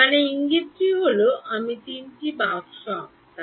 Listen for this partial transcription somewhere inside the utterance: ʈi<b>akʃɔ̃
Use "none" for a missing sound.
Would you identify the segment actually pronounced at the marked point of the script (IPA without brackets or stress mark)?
b